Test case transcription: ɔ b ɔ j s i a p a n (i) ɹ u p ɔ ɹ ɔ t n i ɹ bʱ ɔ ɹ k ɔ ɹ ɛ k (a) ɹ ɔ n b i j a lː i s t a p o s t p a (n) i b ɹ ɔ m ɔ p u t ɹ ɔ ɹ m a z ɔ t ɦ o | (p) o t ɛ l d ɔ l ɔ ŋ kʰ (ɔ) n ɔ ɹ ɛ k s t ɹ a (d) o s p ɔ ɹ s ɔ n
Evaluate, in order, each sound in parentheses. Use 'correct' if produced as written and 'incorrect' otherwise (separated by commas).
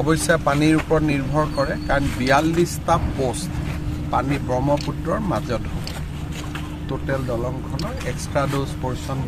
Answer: correct, correct, correct, incorrect, correct, correct